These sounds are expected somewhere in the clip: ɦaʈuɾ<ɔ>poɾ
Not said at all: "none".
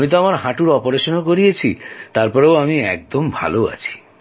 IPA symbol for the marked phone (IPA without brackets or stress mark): ɔ